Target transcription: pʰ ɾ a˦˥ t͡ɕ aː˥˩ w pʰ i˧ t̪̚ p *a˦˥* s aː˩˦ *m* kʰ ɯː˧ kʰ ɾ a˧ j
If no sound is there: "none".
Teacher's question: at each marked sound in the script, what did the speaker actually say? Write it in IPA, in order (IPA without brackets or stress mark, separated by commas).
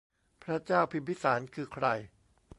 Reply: i˦˥, n